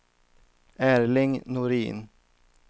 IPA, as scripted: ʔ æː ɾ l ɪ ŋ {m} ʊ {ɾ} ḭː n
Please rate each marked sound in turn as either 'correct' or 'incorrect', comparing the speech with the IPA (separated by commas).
incorrect, correct